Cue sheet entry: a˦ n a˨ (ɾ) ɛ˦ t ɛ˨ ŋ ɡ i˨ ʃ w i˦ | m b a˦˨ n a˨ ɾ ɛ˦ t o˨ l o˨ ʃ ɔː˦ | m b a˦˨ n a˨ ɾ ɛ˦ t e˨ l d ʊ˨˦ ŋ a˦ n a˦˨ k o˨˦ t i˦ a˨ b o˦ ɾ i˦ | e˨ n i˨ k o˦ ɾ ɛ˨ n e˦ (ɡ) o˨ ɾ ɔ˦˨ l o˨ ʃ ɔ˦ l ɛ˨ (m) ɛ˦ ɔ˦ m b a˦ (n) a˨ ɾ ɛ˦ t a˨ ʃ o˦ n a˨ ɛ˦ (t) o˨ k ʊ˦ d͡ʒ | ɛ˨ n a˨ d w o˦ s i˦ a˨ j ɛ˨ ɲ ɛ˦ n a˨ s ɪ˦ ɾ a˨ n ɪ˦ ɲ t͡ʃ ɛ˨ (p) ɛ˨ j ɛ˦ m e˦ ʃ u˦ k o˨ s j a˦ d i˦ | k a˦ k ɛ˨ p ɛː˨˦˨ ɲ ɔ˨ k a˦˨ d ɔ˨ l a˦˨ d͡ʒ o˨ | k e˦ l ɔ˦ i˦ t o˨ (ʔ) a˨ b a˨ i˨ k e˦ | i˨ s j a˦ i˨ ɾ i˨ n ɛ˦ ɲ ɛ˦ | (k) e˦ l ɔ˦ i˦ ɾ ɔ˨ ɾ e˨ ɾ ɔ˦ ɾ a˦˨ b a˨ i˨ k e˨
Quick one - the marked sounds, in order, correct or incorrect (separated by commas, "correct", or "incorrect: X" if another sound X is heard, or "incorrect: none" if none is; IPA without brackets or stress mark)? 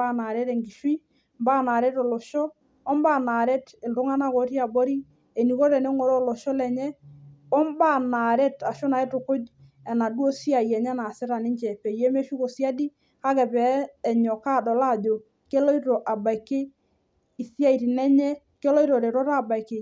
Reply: correct, incorrect: ŋ, incorrect: ɲ, correct, correct, correct, correct, correct